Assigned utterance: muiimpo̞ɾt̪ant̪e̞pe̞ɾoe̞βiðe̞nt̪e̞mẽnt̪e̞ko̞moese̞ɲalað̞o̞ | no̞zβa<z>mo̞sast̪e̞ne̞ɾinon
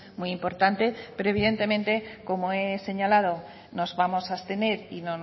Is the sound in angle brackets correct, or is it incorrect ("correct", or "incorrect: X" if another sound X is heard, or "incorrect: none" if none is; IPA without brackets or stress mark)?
incorrect: none